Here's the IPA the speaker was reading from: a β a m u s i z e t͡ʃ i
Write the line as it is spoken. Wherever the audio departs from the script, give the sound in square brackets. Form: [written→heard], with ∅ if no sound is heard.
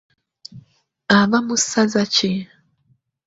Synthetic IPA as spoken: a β a m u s [i→a] z [e→a] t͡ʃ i